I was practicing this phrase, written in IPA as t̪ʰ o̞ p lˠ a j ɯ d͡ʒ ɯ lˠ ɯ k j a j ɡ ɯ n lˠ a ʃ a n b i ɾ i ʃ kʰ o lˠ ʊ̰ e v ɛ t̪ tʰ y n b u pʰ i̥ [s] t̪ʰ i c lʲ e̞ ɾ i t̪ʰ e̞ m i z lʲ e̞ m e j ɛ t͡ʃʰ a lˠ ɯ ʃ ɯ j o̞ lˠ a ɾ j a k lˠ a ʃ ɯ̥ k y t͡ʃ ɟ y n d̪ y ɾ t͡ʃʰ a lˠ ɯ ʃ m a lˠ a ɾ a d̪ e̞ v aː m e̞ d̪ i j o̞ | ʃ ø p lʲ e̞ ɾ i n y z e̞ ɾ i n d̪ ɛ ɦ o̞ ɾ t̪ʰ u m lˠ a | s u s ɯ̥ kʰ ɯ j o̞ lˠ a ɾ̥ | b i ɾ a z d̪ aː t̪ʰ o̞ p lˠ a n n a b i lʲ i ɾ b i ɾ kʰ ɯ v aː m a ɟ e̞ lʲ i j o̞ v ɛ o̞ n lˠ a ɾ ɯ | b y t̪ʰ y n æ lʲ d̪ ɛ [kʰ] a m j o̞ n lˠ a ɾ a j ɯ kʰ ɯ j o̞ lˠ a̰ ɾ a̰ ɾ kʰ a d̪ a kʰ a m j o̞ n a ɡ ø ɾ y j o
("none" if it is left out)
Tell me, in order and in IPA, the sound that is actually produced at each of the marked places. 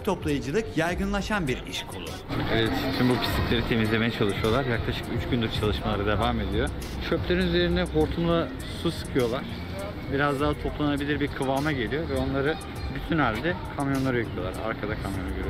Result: s, kʰ

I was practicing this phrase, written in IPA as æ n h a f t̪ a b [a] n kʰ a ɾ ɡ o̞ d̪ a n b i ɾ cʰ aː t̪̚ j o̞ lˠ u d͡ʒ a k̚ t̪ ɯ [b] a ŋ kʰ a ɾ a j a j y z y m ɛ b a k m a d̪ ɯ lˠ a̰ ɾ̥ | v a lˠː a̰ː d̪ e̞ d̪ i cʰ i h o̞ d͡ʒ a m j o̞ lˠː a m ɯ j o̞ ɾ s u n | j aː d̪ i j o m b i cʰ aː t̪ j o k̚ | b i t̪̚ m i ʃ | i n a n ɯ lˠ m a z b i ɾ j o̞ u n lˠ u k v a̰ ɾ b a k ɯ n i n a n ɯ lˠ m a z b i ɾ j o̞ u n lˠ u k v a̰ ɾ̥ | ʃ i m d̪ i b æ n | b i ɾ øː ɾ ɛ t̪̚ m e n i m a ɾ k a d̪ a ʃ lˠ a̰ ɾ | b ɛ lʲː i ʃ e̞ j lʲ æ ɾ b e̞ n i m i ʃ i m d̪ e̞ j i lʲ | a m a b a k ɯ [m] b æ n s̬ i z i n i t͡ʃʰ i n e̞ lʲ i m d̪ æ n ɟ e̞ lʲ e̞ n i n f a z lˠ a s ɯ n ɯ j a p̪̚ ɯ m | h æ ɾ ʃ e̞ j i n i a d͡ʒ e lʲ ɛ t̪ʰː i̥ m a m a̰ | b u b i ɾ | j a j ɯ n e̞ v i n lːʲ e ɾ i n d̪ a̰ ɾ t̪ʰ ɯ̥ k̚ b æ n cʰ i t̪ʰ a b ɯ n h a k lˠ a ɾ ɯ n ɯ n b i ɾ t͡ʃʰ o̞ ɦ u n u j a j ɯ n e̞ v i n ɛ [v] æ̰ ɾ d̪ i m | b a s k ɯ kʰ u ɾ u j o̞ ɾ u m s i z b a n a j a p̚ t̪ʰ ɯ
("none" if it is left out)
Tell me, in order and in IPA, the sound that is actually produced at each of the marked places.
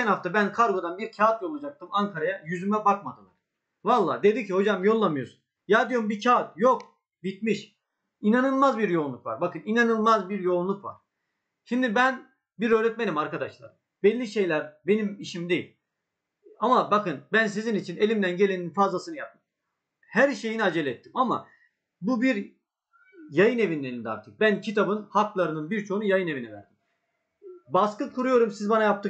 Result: æ, m, n, v

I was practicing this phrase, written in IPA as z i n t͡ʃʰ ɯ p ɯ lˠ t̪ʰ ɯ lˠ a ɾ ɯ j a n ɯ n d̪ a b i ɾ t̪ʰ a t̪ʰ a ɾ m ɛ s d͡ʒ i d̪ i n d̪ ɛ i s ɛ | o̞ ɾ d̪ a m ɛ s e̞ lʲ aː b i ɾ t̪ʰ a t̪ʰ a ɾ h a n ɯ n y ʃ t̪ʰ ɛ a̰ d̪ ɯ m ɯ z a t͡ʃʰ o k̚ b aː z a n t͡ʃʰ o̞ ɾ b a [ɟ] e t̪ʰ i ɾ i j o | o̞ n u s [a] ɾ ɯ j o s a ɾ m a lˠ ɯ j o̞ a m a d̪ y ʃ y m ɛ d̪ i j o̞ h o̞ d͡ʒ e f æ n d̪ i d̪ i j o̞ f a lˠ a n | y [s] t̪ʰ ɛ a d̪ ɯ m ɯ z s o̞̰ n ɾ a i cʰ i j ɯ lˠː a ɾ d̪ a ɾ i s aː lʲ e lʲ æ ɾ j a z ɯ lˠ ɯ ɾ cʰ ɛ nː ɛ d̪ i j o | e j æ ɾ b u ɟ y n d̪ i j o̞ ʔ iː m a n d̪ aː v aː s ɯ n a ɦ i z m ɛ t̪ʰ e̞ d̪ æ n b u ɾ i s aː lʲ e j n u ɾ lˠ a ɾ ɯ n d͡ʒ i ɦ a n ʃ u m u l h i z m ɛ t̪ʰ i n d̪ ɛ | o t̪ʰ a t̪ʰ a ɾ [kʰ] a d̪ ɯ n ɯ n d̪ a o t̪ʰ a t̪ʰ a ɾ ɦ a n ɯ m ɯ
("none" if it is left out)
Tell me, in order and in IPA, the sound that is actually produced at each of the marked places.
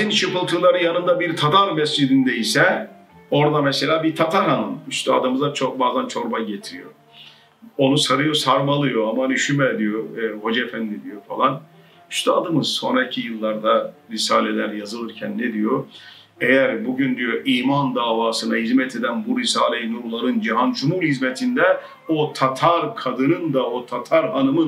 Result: ɟ, a, ʃ, kʰ

